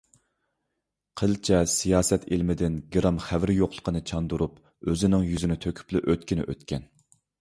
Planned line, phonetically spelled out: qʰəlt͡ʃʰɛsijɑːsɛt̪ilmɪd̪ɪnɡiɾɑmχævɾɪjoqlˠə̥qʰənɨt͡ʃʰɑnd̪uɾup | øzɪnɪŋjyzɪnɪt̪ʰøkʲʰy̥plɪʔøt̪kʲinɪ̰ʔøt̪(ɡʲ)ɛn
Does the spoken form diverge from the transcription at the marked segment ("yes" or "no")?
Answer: yes